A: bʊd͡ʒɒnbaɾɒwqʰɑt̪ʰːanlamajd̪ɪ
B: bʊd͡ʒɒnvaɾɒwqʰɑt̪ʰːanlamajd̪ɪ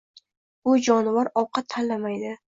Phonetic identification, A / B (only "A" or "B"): B